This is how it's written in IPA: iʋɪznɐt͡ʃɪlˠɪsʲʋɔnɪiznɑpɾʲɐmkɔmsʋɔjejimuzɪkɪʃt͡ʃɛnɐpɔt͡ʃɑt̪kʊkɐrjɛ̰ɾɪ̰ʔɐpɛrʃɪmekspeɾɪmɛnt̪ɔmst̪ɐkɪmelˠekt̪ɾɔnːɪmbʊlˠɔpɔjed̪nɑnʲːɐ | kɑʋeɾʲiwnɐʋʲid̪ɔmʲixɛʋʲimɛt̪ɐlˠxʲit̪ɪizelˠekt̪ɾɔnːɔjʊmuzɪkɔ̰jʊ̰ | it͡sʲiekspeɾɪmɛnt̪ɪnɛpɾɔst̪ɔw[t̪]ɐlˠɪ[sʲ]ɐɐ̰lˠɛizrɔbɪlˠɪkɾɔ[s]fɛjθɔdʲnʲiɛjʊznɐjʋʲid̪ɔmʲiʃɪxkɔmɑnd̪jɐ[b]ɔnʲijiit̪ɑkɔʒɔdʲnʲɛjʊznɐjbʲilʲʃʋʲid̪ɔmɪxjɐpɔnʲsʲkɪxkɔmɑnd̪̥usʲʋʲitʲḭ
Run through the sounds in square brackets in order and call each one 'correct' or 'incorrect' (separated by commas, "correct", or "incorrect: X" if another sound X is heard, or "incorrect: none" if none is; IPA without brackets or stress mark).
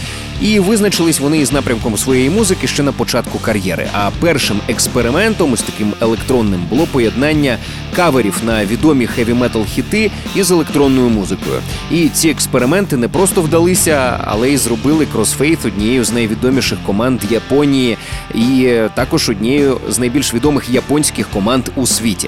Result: incorrect: d̪, correct, correct, incorrect: p